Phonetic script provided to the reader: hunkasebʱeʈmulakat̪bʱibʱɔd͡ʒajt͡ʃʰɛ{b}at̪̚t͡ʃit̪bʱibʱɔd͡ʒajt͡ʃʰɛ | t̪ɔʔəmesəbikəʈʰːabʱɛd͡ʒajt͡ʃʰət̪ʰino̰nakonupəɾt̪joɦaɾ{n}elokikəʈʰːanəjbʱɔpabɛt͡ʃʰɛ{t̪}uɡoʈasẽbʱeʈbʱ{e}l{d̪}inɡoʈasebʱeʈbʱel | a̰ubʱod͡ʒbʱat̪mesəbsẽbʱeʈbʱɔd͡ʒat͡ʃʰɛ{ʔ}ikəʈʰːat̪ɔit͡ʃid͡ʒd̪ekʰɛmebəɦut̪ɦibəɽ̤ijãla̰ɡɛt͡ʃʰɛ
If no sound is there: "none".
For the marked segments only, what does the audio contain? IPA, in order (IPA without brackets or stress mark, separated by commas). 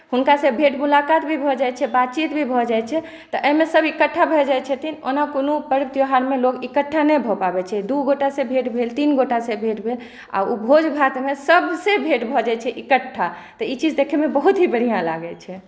b, m, d̪, e, t̪, ʔ